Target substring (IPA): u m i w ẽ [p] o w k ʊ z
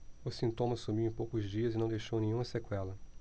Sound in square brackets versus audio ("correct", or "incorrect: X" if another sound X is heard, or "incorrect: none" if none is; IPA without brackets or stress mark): correct